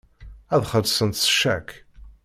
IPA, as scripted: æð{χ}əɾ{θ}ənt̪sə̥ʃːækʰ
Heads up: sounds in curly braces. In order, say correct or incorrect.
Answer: correct, incorrect

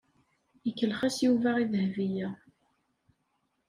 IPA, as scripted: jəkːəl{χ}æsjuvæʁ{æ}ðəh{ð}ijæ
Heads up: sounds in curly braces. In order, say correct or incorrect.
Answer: correct, incorrect, incorrect

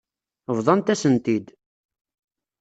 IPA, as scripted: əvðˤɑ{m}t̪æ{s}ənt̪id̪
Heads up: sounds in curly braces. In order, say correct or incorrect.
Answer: incorrect, correct

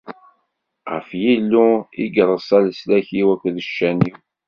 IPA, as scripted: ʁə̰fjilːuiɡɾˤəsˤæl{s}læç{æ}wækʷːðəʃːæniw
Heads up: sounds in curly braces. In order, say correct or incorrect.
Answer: correct, incorrect

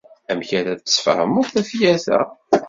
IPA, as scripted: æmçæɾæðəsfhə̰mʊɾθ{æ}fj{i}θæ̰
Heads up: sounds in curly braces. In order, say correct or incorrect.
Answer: correct, incorrect

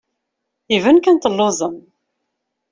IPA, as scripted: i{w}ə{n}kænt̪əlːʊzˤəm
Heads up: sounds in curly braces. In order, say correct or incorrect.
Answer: incorrect, correct

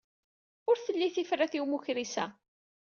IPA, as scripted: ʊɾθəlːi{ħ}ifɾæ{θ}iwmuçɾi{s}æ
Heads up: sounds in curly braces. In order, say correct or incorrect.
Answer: incorrect, correct, correct

